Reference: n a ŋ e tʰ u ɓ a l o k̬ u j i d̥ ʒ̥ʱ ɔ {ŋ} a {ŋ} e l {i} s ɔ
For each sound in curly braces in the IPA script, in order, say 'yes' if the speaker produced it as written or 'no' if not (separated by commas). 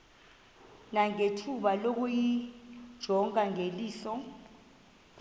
yes, yes, no